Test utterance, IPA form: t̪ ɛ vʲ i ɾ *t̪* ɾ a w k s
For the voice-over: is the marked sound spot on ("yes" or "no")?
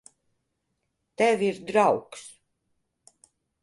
no